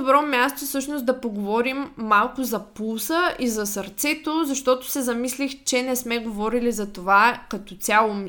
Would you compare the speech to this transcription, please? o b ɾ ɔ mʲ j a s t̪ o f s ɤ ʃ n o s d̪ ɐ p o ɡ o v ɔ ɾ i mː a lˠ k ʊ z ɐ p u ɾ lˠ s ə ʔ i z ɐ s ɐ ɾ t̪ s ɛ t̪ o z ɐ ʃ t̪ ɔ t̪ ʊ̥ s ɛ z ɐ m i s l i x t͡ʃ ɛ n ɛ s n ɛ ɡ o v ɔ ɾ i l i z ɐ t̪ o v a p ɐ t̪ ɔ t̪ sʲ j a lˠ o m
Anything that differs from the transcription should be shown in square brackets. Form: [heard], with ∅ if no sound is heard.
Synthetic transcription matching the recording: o b ɾ ɔ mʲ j a s t̪ o f s ɤ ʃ n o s d̪ ɐ p o ɡ o v ɔ ɾ i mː a lˠ k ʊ z ɐ p u [∅] lˠ s ə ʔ i z ɐ s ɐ ɾ t̪ s ɛ t̪ o z ɐ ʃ t̪ ɔ t̪ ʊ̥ s ɛ z ɐ m i s l i x t͡ʃ ɛ n ɛ s [m] ɛ ɡ o v ɔ ɾ i l i z ɐ t̪ o v a [k] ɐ t̪ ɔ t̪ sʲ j a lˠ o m